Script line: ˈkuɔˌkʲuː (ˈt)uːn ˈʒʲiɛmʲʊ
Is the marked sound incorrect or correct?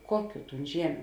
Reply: correct